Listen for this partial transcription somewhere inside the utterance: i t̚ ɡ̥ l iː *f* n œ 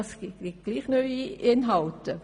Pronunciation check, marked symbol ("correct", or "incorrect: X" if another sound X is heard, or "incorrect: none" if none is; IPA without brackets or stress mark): incorrect: χ